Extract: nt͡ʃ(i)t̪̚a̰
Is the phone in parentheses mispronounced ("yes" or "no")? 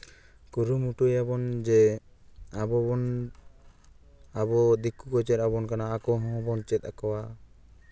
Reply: yes